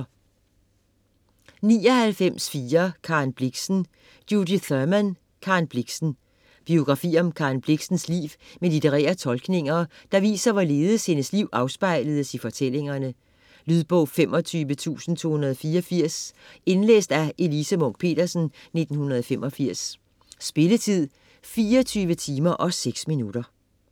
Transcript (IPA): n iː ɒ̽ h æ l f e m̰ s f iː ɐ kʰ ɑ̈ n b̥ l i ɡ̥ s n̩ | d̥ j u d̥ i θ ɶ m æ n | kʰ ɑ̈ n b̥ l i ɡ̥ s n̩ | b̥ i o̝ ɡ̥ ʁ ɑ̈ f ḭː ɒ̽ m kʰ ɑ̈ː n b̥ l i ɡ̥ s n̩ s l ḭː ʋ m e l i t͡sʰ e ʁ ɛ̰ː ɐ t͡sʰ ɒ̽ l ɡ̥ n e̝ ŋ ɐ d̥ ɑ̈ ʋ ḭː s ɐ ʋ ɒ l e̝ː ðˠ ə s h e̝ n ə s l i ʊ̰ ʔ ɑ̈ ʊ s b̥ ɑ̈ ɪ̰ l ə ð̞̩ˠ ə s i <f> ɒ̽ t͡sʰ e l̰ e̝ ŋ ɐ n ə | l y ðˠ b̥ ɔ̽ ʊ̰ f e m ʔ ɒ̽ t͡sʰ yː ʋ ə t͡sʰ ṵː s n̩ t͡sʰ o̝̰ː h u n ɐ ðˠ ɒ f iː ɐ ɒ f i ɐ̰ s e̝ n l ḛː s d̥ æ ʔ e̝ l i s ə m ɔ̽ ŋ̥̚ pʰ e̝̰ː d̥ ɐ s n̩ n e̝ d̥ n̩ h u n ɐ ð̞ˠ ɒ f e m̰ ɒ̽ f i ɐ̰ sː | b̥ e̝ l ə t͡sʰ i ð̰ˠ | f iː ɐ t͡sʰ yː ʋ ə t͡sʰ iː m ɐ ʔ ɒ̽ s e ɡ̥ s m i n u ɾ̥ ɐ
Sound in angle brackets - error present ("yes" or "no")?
no